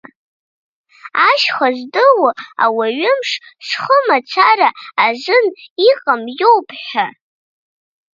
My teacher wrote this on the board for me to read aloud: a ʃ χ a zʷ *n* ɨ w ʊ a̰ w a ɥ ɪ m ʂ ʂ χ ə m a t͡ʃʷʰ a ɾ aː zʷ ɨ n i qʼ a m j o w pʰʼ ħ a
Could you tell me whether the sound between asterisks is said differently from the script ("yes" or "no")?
yes